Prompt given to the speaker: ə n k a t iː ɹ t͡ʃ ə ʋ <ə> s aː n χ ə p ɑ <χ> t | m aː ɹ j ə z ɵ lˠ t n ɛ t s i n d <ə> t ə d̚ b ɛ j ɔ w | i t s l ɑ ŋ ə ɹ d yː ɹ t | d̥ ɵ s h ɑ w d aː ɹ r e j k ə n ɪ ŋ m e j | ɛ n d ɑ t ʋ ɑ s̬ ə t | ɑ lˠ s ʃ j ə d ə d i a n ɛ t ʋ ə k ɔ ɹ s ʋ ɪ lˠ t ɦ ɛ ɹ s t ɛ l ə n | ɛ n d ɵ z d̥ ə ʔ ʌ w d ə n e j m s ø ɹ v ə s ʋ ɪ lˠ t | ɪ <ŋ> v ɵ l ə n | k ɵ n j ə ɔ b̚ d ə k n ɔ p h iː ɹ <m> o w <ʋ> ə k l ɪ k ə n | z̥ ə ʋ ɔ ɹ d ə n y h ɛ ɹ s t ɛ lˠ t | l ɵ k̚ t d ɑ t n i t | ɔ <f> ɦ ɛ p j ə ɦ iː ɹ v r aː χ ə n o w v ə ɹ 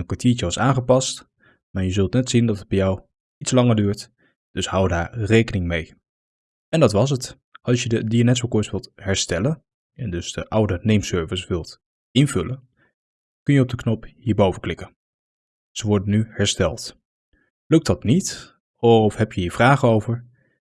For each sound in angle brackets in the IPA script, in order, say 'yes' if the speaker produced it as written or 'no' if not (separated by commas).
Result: no, no, no, no, no, no, yes